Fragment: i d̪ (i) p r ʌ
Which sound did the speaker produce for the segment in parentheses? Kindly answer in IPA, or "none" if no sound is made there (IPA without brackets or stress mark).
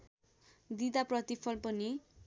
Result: a